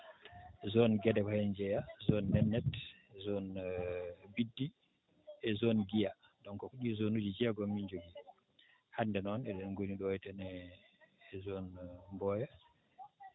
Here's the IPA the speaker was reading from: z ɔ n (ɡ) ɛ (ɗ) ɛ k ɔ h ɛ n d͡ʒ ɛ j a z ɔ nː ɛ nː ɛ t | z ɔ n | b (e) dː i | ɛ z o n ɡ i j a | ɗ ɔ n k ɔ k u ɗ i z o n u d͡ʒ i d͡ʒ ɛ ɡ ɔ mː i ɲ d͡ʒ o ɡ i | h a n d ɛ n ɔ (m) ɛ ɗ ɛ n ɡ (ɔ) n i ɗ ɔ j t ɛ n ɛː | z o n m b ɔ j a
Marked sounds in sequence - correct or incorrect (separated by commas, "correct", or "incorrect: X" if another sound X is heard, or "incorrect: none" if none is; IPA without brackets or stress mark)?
correct, incorrect: d, incorrect: i, incorrect: n, incorrect: o